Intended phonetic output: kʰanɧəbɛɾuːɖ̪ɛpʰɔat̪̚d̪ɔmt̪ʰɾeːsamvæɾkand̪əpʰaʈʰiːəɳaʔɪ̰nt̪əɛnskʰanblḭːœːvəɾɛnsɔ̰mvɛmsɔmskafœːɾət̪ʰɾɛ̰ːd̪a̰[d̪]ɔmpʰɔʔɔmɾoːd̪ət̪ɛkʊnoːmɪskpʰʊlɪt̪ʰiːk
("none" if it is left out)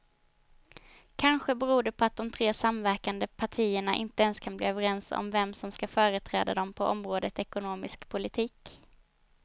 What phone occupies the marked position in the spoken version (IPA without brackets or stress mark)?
d̪